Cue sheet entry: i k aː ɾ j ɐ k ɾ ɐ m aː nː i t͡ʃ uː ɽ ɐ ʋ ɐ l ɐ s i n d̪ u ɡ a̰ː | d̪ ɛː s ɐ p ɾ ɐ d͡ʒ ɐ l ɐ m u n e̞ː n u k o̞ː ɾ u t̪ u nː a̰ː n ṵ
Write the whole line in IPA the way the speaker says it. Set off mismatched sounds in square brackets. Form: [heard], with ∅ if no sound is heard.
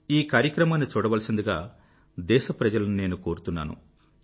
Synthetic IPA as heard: [iː] k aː ɾ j ɐ k ɾ ɐ m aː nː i t͡ʃ uː ɽ ɐ ʋ ɐ l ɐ s i n d̪ u ɡ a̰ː | d̪ ɛː [ʃ] ɐ p ɾ ɐ d͡ʒ ɐ l ɐ [n] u n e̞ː n u k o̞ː ɾ u t̪ u nː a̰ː n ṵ